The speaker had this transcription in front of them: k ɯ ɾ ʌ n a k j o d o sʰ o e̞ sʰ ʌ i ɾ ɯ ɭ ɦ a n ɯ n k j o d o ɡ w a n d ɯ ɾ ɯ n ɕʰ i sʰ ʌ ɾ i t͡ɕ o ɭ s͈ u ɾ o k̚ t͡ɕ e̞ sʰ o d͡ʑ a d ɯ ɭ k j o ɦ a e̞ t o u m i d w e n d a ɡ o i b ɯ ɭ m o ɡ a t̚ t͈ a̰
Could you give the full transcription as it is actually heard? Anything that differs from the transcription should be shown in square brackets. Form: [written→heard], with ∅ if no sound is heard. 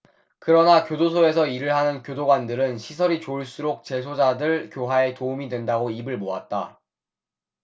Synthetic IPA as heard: k ɯ ɾ ʌ n a k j o d o sʰ o e̞ sʰ ʌ i ɾ ɯ ɭ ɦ a n ɯ n k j o d o ɡ w a n d ɯ ɾ ɯ n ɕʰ i sʰ ʌ ɾ i t͡ɕ o ɭ s͈ u ɾ o k̚ t͡ɕ e̞ sʰ o d͡ʑ a d ɯ ɭ k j o ɦ a e̞ t o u m i d w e n d a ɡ o i b ɯ ɭ m o [ɡ→∅] a t̚ t͈ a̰